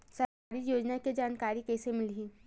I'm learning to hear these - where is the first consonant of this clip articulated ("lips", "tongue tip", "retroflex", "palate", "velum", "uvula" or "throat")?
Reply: tongue tip